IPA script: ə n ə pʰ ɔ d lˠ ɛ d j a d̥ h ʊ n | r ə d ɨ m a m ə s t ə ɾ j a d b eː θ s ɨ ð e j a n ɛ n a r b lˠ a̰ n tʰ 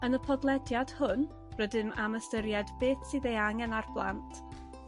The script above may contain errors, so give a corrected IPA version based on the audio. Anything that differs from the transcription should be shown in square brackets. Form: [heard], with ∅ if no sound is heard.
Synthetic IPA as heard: ə n ə pʰ ɔ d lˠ ɛ d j a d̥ h ʊ n | r ə d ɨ m a m ə s t ə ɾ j a d b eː θ s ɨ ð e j a [ŋ] ɛ n a r b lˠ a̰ n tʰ